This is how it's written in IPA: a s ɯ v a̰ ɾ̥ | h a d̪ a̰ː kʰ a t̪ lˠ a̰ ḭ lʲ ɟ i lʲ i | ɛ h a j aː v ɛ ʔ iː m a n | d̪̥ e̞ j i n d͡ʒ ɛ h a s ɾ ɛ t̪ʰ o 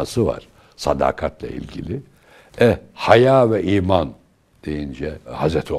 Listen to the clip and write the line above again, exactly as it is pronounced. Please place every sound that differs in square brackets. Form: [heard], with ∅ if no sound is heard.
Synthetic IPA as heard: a s ɯ v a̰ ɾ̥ | [s] a d̪ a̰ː kʰ a t̪ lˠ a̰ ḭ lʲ ɟ i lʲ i | ɛ h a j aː v ɛ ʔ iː m a n | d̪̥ e̞ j i n d͡ʒ ɛ h a [z] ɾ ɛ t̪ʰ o